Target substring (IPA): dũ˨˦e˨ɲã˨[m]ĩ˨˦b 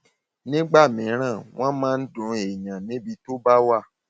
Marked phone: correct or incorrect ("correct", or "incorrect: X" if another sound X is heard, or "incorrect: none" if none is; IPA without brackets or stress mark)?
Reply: incorrect: n